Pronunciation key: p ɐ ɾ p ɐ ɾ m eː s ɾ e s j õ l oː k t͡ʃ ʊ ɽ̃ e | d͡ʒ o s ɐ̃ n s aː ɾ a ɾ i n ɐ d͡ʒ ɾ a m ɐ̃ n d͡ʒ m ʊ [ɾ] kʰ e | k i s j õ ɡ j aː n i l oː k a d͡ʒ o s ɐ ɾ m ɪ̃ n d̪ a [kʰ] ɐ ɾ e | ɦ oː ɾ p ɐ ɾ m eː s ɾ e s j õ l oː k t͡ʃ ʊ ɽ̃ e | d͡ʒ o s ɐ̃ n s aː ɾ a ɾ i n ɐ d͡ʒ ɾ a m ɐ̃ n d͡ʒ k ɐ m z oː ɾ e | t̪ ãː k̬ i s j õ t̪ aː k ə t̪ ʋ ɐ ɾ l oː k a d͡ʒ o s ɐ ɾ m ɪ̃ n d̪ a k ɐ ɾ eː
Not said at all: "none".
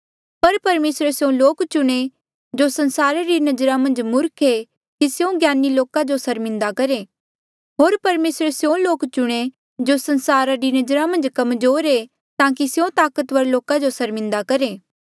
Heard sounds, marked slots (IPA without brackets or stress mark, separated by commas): ɾ, k